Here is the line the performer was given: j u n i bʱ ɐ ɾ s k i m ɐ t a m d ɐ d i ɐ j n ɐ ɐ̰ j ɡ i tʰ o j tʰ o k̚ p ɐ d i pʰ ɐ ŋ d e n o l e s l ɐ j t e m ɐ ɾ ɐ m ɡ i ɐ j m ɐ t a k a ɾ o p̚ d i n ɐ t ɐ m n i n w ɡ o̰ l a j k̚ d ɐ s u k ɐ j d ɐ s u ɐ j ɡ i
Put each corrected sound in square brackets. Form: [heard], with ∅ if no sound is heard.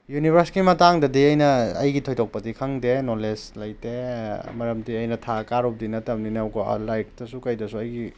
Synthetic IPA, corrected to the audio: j u n i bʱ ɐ ɾ s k i m ɐ t a [ŋ] d ɐ d i ɐ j n ɐ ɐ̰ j ɡ i tʰ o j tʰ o k̚ p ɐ d i [kʰ] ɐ ŋ d e n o l e s l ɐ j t e m ɐ ɾ ɐ m [d] i ɐ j [n] ɐ [tʰ] a k a ɾ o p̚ d i n ɐ t ɐ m n i n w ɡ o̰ l a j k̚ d ɐ s u k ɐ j d ɐ s u ɐ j ɡ i